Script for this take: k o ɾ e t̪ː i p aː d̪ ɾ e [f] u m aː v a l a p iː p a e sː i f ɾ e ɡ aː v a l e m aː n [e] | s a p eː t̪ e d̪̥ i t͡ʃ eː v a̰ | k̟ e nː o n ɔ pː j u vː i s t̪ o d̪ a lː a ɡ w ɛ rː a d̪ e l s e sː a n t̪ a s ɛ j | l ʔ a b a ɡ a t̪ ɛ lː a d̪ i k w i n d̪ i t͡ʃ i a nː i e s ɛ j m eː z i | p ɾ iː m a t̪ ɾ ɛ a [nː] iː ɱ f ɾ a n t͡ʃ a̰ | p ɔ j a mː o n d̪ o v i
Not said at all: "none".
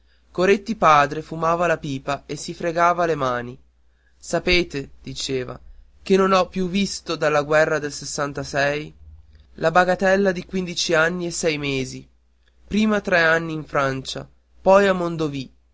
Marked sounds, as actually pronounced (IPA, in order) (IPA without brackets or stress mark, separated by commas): f, i, nː